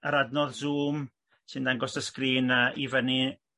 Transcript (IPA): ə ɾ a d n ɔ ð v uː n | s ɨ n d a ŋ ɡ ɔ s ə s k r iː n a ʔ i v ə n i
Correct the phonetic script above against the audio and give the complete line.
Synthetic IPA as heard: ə ɾ a d n ɔ ð z uː m | s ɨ n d a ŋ ɡ ɔ s ə s k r iː n a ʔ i v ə n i